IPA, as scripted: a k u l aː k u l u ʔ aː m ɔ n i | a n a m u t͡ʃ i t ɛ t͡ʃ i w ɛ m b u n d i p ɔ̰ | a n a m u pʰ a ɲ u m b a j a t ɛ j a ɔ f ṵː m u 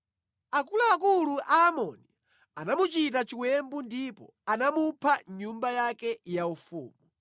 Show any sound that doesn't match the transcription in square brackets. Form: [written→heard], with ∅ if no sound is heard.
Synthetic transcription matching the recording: a k u l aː k u l u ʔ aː m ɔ n i | a n a m u t͡ʃ i t [ɛ→a] t͡ʃ i w ɛ m b u n d i p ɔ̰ | a n a m u pʰ a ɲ u m b a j a [t→k] ɛ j a [ɔ→u] f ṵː m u